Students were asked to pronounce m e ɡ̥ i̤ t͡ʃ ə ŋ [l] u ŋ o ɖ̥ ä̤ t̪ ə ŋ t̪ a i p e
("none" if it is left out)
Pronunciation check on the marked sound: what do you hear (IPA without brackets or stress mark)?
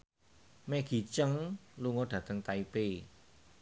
l